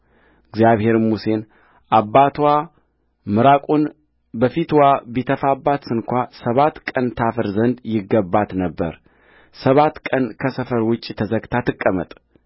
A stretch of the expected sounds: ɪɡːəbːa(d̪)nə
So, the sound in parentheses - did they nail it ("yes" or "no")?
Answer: no